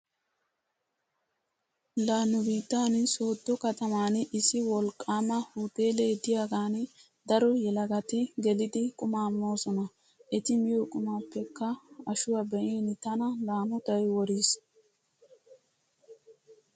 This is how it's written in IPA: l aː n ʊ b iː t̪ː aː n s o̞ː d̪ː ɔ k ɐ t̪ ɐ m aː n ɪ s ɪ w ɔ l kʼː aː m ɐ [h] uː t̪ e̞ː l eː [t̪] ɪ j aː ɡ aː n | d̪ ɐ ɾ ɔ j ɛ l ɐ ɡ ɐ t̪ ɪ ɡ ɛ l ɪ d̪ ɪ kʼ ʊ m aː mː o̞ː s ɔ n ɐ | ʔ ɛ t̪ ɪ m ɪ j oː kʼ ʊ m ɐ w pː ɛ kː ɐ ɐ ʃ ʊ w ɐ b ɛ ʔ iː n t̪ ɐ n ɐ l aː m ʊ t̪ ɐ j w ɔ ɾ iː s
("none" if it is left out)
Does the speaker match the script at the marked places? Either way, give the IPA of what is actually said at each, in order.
h, d̪

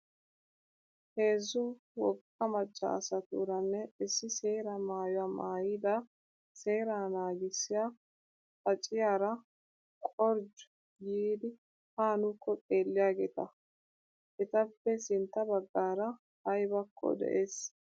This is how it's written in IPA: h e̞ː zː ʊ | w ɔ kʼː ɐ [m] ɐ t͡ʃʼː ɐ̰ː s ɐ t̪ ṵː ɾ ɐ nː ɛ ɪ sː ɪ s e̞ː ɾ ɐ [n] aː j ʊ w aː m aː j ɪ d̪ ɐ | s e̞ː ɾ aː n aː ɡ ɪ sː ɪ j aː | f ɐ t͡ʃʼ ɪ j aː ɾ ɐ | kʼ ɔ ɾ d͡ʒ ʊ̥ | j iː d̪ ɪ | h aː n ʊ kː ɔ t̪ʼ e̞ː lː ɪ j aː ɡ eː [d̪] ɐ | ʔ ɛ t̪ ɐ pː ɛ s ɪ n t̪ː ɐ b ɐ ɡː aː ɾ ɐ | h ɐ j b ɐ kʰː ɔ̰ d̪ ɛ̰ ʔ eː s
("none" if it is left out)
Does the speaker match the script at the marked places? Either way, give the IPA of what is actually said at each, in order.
m, m, t̪

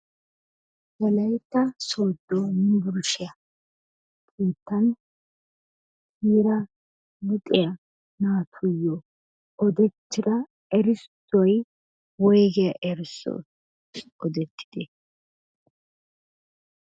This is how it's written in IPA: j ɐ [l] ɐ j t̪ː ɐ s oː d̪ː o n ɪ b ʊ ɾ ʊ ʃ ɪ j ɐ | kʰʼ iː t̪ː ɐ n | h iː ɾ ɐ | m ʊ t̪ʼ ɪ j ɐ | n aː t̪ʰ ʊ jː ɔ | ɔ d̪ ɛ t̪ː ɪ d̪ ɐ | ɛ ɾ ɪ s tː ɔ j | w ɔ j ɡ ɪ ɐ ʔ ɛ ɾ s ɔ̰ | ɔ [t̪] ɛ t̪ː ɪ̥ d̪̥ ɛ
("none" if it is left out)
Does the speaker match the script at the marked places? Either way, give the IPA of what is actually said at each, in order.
l, d̪

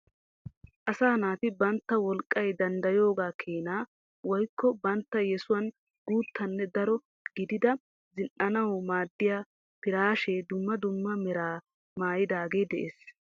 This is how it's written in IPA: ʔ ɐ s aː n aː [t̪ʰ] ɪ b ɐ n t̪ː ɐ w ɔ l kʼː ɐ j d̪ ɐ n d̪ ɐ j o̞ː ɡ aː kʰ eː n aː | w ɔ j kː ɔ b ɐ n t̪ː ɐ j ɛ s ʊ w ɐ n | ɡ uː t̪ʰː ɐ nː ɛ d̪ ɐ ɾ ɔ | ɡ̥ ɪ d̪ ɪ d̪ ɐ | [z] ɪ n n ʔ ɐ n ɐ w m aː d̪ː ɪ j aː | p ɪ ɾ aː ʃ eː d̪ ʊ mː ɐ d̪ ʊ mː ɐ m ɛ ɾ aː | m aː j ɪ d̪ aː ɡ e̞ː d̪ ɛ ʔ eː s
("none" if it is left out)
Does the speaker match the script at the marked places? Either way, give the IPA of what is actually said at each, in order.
t̪, z

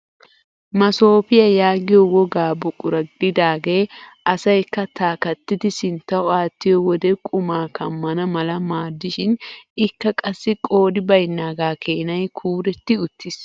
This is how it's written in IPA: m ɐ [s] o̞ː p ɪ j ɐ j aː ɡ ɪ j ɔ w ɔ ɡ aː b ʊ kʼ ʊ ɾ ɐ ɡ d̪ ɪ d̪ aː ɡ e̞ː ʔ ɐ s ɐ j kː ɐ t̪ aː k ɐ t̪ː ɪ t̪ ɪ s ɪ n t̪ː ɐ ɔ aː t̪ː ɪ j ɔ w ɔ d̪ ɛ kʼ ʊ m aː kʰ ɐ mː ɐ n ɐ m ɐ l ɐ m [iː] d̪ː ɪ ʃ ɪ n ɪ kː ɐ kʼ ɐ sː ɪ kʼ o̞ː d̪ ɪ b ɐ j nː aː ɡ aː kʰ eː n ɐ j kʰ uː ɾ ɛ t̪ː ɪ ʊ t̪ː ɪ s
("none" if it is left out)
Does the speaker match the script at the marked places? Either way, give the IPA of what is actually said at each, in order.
s, aː

